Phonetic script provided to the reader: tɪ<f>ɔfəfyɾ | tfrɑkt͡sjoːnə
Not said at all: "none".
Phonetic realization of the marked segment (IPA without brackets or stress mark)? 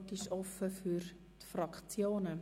ʃ